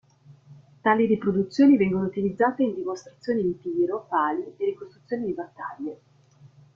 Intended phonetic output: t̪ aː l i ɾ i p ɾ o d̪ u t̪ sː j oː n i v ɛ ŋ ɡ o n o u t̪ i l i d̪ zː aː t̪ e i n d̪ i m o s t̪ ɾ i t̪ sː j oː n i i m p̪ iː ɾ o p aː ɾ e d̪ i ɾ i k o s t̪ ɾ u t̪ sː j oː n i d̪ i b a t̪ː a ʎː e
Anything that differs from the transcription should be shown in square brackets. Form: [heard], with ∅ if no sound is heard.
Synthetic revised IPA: t̪ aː l i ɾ i p ɾ o d̪ u t̪ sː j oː n i v ɛ ŋ ɡ o n o u t̪ i l i d̪ zː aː t̪ e i n d̪ i m o s t̪ ɾ [a] t̪ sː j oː n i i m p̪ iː ɾ o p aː [l] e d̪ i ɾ i k o s t̪ ɾ u t̪ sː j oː n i d̪ i b a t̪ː a ʎː e